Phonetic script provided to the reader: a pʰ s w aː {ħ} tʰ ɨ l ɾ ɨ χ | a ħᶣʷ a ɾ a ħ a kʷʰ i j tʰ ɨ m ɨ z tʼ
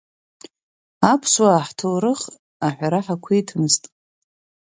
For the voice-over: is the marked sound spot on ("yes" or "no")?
yes